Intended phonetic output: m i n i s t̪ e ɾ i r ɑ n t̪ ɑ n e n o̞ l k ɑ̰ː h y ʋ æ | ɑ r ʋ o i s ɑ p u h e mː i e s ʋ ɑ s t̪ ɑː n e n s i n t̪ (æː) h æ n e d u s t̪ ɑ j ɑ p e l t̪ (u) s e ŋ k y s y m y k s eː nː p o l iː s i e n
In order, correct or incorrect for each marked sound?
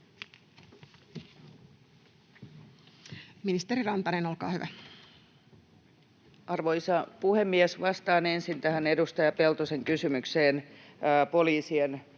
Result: incorrect: æ, incorrect: o

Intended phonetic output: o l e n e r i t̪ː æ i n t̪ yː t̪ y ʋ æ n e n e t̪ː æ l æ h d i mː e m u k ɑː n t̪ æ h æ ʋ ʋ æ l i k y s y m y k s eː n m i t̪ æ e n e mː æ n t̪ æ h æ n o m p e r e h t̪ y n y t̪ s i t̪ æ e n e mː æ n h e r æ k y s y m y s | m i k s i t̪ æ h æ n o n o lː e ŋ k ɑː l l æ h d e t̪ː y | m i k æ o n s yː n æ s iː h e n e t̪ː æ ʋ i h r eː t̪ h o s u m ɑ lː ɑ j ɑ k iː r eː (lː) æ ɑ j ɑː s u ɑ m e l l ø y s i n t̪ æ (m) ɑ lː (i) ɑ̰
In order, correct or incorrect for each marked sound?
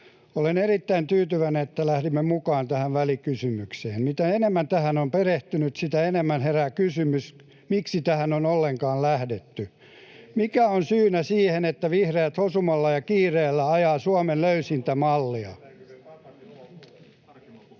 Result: correct, correct, correct

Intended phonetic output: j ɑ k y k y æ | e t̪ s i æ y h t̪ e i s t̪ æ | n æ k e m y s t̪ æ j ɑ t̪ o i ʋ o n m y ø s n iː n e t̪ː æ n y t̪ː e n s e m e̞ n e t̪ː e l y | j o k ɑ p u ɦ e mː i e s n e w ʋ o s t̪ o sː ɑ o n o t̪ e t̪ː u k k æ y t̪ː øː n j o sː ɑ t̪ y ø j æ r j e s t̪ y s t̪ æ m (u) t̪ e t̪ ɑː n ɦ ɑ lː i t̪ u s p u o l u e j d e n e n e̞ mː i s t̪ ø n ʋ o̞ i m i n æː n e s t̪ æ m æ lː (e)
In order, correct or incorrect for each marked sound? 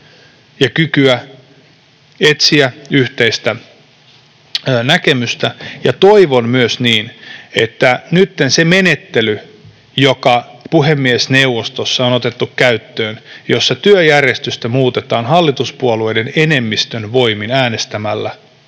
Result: incorrect: uː, incorrect: æ

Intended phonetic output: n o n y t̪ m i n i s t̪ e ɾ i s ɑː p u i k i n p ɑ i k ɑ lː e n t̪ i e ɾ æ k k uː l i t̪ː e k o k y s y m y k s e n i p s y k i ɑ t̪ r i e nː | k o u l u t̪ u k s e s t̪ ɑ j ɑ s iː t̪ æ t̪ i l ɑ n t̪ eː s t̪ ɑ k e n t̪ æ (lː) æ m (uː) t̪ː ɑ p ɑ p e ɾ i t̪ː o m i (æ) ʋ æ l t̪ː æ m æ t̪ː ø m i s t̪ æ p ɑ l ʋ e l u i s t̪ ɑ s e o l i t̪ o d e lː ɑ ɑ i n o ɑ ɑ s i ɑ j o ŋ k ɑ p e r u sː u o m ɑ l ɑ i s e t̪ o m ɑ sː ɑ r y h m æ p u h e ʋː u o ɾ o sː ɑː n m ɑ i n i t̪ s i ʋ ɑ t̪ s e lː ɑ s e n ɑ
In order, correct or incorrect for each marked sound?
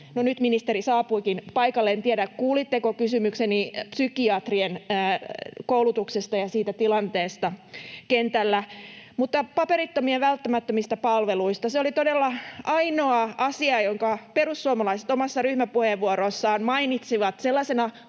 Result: correct, incorrect: u, incorrect: e

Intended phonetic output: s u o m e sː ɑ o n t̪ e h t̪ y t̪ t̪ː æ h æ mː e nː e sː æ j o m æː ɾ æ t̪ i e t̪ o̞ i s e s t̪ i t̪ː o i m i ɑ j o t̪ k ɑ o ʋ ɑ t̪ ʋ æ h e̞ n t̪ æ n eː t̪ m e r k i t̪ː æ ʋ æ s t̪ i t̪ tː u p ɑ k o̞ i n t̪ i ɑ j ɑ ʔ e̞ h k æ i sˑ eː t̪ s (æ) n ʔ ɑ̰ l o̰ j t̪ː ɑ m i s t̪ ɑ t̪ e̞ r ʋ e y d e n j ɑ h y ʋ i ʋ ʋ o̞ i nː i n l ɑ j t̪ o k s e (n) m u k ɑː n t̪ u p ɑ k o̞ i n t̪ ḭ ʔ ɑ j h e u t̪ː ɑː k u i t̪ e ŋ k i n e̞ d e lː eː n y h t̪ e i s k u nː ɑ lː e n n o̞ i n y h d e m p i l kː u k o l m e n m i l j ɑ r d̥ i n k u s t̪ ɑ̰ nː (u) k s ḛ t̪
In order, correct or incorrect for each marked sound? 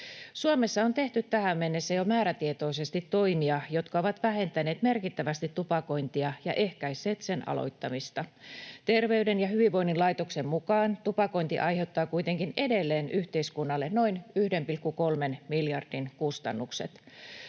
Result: incorrect: e, incorrect: m, correct

